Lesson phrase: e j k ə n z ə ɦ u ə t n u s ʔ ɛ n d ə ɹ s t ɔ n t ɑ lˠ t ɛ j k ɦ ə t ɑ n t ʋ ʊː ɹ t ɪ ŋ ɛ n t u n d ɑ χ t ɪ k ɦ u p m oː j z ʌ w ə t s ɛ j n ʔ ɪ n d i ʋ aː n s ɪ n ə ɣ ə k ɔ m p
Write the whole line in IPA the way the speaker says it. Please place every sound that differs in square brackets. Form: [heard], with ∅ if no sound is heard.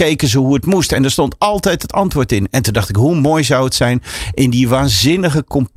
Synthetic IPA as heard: e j k ə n z ə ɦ u ə t [m] u s [t] ɛ n d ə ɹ s t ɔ n t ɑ lˠ t ɛ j [t] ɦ ə t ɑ n t ʋ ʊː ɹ t ɪ [n] ɛ n t u n d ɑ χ t ɪ k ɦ u [∅] m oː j z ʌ w ə t s ɛ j n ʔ ɪ n d i ʋ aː n [z] ɪ n ə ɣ ə k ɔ m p